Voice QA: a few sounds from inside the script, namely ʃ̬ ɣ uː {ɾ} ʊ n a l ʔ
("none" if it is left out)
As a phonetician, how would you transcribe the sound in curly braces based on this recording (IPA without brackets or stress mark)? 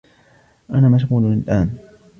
l